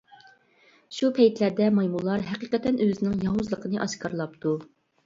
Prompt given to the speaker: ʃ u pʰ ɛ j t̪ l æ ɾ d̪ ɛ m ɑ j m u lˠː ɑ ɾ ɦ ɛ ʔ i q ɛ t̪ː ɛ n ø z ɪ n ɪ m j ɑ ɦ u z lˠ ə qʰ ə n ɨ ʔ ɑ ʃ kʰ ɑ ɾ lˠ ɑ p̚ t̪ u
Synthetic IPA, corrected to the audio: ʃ u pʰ ɛ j t̪ l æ ɾ d̪ ɛ m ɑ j m u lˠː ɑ ɾ ɦ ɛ q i q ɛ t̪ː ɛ n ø z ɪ n ɪ ŋ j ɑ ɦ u z lˠ ə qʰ ə n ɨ ʔ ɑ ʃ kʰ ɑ ɾ lˠ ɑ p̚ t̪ u